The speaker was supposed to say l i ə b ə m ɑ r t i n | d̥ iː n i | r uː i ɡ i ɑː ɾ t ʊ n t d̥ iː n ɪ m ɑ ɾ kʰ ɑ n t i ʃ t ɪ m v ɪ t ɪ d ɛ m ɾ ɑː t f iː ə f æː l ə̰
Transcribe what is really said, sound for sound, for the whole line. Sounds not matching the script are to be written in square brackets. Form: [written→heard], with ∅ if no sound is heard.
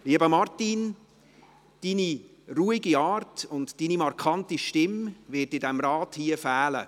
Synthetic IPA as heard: l i ə b ə m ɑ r t i n | d̥ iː n i | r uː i ɡ i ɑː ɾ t ʊ n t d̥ iː n [ɪ→i] m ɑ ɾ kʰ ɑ n t i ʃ t ɪ m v ɪ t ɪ d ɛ m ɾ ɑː t [f→h] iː ə f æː l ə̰